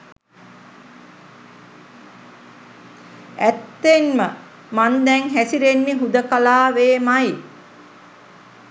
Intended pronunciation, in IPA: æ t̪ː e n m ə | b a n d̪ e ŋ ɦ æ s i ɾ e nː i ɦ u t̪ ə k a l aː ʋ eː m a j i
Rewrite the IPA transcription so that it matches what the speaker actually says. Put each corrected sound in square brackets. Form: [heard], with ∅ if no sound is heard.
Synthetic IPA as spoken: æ t̪ː e n m ə | [m] a n d̪ [ɛ] ŋ ɦ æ s i ɾ e nː i ɦ u [d̪] ə k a l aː ʋ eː m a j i